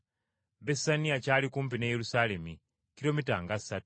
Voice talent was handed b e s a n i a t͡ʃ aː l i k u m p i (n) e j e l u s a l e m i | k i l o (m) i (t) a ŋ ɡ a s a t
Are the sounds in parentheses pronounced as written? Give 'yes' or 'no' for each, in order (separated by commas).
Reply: yes, yes, yes